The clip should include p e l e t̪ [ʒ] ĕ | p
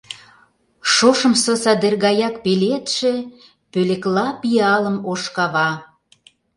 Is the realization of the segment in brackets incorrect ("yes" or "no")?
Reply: yes